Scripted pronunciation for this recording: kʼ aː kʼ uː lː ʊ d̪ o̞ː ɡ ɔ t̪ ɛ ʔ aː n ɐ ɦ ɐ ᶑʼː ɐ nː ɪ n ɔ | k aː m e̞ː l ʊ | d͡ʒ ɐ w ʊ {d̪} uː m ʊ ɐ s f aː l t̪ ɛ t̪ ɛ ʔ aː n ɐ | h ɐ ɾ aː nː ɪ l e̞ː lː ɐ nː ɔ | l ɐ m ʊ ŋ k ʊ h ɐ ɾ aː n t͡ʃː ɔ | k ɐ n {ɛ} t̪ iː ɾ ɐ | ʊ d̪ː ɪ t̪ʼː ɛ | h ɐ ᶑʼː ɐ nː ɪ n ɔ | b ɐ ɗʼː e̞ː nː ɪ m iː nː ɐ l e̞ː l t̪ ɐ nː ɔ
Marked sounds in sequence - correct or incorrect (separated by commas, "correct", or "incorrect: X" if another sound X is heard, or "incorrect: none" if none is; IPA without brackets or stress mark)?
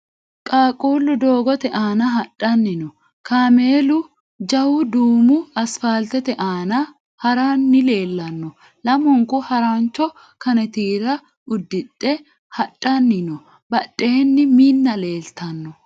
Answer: correct, correct